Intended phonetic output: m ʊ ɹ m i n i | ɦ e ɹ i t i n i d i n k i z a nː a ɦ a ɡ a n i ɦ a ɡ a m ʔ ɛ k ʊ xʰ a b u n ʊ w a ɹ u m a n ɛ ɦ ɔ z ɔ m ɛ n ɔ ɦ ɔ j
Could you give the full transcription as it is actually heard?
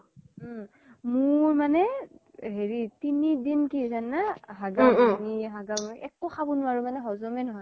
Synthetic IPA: m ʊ ɹ m a n ɛ | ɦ e ɹ i t i n i d i n k i z a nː a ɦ a ɡ a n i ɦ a ɡ a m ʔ ɛ k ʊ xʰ a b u n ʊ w a ɹ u m a n ɛ ɦ ɔ z ɔ m ɛ n ɔ ɦ ɔ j